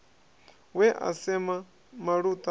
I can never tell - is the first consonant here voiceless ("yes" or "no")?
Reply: no